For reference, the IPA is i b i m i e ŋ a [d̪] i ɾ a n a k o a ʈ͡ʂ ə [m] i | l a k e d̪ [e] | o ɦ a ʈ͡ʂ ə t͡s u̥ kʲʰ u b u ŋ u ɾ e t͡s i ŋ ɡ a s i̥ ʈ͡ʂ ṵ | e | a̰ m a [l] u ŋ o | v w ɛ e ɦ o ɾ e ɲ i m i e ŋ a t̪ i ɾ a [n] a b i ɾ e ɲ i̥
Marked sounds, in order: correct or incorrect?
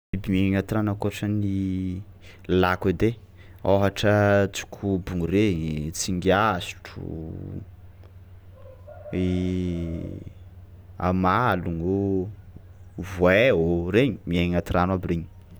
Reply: incorrect: t̪, incorrect: n, correct, correct, correct

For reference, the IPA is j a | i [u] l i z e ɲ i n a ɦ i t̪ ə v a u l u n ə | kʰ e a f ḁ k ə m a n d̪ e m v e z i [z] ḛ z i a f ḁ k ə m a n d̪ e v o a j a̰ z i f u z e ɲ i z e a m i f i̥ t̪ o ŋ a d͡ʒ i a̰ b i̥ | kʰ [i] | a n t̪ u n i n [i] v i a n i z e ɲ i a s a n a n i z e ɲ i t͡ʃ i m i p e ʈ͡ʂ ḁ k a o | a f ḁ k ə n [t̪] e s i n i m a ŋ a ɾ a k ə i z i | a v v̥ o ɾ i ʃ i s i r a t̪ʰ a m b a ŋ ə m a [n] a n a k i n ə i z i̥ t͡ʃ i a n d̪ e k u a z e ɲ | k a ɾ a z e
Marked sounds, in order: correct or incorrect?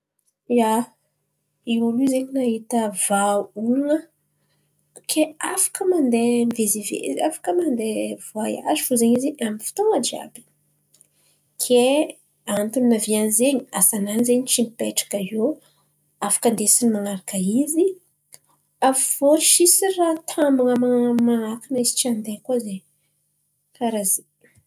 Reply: correct, incorrect: v, incorrect: e, incorrect: a, incorrect: d̪, incorrect: m

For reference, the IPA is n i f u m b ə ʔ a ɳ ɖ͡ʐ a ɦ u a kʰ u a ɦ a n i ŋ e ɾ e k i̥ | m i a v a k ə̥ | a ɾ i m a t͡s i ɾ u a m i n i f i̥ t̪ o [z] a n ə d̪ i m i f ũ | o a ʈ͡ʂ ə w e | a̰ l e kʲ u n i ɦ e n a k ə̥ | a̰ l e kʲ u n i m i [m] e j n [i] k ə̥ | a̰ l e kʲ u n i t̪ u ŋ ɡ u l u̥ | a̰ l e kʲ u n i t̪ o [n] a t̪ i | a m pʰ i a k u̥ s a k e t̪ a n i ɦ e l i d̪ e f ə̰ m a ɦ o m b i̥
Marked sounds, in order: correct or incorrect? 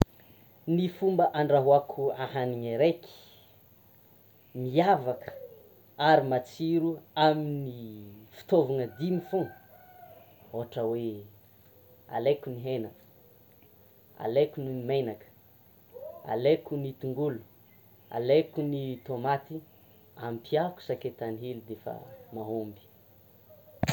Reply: incorrect: v, correct, incorrect: a, incorrect: m

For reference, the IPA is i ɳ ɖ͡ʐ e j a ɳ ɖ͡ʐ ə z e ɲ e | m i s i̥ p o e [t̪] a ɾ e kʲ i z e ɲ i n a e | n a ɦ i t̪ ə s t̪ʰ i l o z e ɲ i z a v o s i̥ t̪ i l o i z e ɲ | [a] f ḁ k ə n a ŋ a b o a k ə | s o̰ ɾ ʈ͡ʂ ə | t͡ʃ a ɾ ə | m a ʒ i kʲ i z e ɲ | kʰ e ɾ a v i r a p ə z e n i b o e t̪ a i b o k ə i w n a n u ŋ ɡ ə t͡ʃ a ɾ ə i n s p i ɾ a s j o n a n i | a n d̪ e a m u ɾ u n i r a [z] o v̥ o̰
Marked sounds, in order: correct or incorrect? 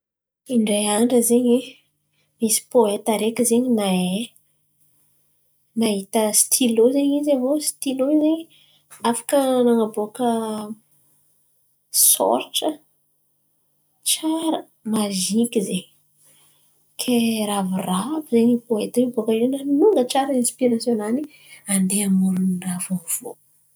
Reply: correct, correct, incorrect: v

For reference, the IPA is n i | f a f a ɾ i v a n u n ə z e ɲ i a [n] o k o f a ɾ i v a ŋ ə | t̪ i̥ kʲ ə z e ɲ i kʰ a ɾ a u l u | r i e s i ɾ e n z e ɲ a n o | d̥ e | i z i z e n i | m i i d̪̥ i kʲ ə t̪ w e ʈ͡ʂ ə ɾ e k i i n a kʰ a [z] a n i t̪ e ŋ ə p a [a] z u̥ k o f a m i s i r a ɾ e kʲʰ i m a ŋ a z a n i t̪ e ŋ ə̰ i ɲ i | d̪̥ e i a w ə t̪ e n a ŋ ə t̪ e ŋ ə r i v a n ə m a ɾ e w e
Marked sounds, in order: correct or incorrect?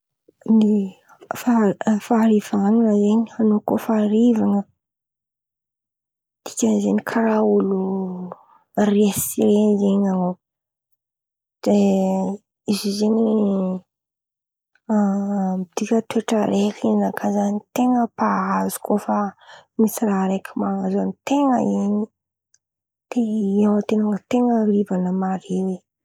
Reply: correct, correct, correct

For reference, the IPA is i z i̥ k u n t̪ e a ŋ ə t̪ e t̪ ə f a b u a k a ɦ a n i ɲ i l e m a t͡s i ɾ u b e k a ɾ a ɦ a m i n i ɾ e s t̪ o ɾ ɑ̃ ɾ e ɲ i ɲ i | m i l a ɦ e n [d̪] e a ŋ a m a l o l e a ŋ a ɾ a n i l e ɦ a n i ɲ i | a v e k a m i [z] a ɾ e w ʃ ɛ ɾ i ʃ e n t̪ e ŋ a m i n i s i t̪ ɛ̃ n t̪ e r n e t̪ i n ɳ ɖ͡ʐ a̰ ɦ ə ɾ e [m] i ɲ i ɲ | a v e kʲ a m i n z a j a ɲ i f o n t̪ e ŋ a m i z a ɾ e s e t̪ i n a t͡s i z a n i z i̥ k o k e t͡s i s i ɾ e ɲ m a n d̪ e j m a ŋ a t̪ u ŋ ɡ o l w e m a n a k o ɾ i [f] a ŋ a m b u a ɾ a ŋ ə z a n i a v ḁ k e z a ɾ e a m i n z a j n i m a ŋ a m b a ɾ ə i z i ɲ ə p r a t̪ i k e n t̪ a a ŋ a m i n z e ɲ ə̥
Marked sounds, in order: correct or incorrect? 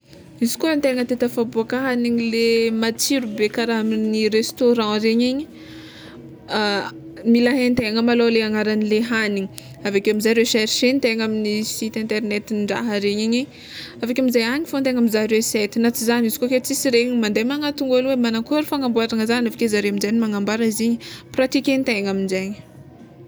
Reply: incorrect: t̪, correct, incorrect: ɲ, correct

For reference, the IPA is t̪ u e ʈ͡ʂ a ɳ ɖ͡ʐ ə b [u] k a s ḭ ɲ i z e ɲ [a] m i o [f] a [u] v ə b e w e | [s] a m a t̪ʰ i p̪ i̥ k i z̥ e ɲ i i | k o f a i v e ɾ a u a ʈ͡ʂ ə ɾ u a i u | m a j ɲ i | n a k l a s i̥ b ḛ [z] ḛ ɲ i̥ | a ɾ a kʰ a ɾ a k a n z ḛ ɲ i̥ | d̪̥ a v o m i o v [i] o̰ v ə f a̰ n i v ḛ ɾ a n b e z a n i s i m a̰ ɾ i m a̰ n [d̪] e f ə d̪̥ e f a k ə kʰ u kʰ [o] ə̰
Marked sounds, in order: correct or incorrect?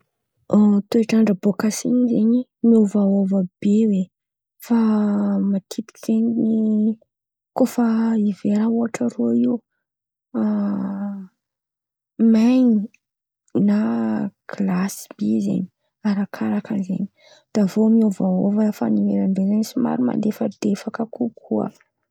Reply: incorrect: o, incorrect: i, incorrect: v, incorrect: o, incorrect: f, correct, incorrect: a, correct, incorrect: u

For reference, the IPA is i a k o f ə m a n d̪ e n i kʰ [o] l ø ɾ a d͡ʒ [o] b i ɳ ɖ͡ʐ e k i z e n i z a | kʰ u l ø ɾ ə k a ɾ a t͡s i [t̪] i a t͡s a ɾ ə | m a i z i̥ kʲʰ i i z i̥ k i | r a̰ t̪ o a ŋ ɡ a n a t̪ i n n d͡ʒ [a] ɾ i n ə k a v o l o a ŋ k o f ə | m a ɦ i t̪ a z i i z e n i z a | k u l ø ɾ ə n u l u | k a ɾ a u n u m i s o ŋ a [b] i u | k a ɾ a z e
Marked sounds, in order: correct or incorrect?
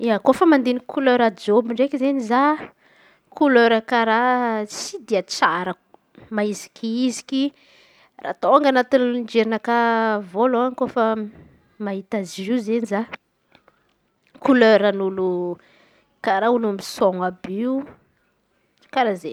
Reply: incorrect: u, correct, incorrect: d̪, incorrect: e, correct

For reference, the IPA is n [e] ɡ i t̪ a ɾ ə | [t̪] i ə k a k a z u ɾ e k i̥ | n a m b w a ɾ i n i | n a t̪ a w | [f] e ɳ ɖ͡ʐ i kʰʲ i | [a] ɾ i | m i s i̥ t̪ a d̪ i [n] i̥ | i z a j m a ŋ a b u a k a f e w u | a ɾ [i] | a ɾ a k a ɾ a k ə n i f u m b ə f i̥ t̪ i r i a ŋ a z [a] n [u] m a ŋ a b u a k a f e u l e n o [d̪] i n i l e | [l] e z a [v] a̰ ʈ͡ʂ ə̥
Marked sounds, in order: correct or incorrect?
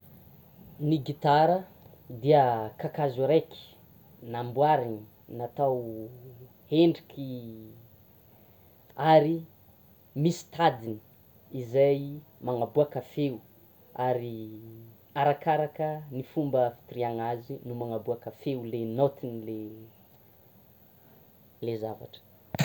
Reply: incorrect: i, incorrect: d̪, incorrect: h, correct, correct, correct, incorrect: i, correct, incorrect: t̪, correct, correct

